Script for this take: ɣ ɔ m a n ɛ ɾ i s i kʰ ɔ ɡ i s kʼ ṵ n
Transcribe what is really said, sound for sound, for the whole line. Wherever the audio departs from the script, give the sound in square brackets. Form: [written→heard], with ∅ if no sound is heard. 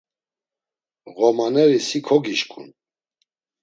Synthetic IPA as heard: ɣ ɔ m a n ɛ ɾ i s i kʰ ɔ ɡ i [s→ʃ] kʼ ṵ n